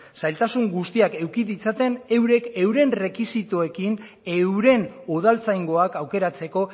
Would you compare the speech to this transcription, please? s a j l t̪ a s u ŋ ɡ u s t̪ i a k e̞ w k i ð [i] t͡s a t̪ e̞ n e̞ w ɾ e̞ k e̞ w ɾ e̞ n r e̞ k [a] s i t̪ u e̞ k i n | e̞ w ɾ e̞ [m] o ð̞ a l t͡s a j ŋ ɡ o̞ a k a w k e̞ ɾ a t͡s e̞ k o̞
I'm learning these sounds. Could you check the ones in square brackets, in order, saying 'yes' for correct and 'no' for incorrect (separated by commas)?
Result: yes, no, no